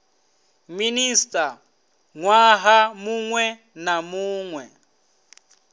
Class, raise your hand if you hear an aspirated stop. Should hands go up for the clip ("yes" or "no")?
no